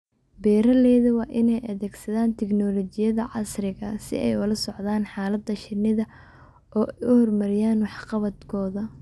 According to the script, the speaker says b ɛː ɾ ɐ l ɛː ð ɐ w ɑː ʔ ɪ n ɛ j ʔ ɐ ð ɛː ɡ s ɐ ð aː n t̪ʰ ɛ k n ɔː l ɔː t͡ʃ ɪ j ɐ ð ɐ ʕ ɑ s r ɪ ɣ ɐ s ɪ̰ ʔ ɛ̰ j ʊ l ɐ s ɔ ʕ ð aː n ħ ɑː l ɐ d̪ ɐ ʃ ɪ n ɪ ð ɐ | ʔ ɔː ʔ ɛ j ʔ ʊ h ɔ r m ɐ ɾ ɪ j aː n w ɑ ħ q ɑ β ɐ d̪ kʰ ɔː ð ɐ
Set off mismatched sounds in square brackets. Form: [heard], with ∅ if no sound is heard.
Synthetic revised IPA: b ɛː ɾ ɐ l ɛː ð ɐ w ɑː ʔ ɪ n ɛ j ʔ ɐ ð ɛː ɡ s ɐ ð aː n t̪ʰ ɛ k n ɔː l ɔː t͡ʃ ɪ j ɐ ð ɐ ʕ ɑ s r ɪ ɣ ɐ s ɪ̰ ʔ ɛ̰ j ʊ l ɐ s ɔ ʕ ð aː n ħ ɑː l ɐ d̪ ɐ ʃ ɪ n ɪ ð ɐ | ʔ ɔː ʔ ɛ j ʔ ʊ h ɔ r m ɐ ɾ ɪ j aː n w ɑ ħ q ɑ β ɐ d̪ kʰ ɔː ð ɐ